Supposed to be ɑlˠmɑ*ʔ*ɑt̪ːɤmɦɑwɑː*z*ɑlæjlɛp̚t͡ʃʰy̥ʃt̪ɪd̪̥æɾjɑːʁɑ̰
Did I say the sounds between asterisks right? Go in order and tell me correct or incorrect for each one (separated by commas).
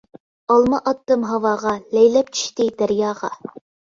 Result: correct, incorrect